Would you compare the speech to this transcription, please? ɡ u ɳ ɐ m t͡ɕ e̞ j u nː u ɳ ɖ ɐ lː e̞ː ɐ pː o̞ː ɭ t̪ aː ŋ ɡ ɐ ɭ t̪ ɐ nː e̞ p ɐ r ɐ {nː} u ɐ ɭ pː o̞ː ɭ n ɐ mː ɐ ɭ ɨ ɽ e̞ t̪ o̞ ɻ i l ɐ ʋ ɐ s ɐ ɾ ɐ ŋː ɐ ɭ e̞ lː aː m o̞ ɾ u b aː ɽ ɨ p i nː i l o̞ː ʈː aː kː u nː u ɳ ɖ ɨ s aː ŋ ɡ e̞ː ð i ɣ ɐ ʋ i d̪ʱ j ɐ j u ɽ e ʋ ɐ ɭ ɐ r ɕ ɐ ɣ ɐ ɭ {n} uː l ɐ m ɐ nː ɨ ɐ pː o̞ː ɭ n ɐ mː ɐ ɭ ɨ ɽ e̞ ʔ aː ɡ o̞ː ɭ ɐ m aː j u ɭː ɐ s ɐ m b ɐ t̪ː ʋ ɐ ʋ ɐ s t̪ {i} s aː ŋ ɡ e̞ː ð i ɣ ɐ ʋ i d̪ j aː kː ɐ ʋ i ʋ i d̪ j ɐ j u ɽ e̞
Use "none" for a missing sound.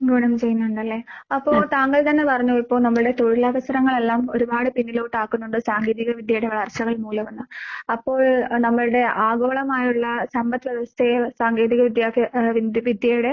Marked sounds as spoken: ɲː, m, e

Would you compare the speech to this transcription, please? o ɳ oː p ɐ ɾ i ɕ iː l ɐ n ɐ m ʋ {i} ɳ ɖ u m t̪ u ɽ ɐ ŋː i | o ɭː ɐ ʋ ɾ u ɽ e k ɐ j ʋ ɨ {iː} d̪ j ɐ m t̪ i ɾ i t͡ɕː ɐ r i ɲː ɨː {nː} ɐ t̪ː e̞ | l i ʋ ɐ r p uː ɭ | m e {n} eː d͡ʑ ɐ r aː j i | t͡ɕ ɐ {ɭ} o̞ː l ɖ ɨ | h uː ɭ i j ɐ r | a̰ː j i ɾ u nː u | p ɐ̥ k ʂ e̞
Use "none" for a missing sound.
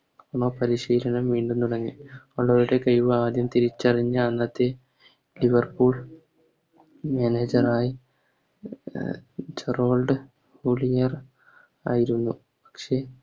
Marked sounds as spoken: iː, aː, nː, n, r

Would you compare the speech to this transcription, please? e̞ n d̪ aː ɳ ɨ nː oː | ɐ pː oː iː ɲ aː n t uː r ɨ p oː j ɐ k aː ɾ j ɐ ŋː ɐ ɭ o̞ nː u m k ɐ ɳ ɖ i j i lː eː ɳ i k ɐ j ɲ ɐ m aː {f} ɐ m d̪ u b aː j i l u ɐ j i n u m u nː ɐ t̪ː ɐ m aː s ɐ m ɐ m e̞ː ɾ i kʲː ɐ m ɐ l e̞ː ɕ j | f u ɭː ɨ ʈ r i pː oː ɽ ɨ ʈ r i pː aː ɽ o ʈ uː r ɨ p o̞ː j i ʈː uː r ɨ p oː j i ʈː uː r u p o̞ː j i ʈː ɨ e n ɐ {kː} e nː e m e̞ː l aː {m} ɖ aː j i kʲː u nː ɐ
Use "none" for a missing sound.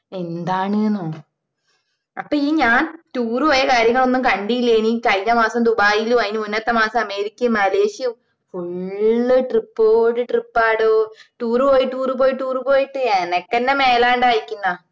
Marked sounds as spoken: s, kː, ɳ

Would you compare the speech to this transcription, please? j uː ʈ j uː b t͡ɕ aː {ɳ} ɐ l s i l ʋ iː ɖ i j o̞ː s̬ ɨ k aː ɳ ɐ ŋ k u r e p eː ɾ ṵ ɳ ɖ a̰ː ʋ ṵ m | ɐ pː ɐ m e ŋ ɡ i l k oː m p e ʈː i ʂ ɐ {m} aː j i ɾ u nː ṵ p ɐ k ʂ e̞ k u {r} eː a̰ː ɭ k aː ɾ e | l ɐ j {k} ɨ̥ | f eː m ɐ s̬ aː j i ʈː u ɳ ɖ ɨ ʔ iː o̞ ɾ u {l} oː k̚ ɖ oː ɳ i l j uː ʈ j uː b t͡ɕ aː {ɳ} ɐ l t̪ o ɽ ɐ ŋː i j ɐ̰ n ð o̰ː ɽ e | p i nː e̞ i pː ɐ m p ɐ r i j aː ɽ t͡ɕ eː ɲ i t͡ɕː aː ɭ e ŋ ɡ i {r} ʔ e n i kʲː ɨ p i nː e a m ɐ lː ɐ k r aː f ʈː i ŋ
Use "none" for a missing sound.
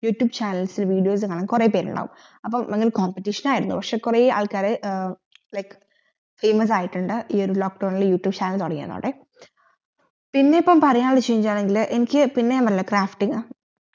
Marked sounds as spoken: n, n, r, k, l, n, l

